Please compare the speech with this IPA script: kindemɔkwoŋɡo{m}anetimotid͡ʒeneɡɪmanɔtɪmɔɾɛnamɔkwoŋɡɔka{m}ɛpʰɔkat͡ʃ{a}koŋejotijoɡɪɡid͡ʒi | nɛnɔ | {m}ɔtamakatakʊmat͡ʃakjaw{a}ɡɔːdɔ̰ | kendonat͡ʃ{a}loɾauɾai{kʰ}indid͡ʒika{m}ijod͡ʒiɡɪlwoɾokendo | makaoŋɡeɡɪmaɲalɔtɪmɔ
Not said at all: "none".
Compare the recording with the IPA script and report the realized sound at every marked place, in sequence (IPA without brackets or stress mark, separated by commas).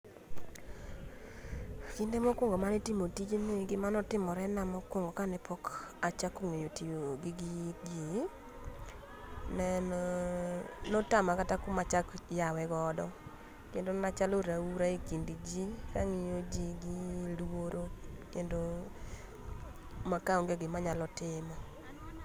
m, n, a, n, ɛ, a, k, ŋ